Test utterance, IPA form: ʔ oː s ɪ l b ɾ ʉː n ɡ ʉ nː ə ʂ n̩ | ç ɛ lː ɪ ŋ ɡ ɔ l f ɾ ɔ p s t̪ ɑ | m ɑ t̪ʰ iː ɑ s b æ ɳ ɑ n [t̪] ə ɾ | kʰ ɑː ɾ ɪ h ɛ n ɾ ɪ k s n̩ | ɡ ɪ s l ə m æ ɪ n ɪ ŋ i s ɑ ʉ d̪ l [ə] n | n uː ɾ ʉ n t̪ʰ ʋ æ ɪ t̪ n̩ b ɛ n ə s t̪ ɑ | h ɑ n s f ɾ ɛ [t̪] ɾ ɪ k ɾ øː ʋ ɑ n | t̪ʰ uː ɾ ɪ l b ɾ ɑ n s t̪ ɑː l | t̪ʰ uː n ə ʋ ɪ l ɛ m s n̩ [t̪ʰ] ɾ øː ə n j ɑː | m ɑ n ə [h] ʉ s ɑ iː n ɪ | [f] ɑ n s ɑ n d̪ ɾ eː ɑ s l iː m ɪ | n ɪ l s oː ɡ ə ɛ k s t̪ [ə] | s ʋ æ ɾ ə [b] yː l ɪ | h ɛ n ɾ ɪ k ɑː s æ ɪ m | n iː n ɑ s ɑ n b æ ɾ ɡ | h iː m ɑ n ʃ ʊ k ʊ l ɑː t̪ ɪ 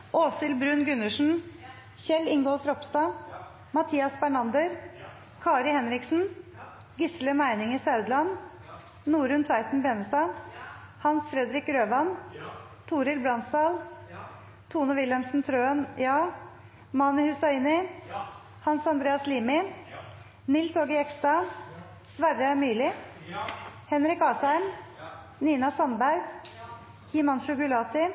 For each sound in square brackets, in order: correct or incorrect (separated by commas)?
incorrect, incorrect, incorrect, correct, correct, incorrect, incorrect, incorrect